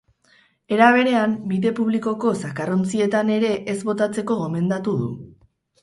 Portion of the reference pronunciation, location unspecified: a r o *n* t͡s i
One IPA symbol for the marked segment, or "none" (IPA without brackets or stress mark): n